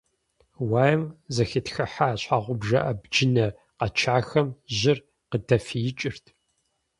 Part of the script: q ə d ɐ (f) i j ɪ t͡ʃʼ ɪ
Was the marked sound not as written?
no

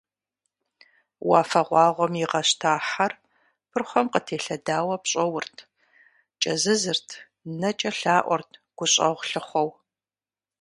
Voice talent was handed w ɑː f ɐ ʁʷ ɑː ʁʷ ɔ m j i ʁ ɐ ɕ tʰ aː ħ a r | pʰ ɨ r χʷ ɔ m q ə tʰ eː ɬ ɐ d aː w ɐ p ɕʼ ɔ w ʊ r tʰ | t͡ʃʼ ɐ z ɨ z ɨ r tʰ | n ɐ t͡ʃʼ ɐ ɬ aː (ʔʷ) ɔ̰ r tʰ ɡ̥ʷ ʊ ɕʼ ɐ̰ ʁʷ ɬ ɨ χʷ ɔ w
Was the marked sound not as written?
no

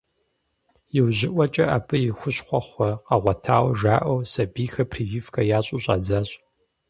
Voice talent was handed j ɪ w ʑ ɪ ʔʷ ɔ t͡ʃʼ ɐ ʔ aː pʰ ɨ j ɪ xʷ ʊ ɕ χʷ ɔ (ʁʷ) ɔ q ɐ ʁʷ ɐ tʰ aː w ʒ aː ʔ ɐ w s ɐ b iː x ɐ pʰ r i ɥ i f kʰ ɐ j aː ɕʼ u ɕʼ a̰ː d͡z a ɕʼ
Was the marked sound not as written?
yes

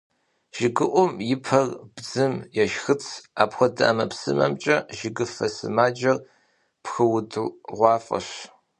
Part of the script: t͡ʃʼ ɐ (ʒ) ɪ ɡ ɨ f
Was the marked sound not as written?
no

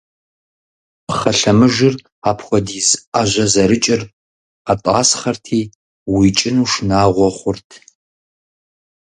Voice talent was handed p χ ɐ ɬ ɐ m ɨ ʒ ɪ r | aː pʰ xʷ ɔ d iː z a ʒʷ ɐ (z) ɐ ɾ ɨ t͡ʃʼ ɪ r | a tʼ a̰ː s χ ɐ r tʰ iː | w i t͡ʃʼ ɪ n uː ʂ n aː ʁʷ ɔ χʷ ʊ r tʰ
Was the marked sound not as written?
no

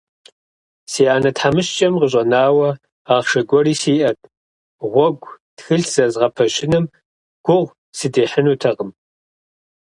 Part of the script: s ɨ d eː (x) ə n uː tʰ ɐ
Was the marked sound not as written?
yes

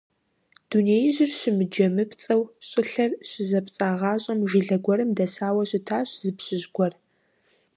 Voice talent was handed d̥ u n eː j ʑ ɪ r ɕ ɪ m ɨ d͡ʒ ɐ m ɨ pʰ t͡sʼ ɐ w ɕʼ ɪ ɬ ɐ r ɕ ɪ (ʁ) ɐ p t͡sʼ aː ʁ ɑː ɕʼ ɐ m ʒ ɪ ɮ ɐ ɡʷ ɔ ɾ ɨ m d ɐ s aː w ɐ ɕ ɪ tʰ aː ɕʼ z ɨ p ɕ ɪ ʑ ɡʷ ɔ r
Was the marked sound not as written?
yes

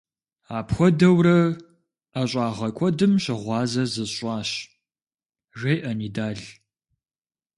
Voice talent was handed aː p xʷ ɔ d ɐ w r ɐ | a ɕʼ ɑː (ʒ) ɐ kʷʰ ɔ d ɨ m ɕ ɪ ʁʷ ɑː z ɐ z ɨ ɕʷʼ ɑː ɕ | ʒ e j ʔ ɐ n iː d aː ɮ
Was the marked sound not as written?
yes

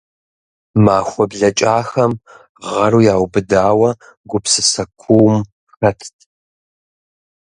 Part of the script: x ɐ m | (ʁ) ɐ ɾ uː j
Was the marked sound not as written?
no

